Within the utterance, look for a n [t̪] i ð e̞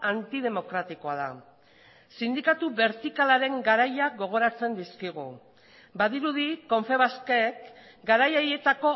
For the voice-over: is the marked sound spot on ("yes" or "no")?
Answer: yes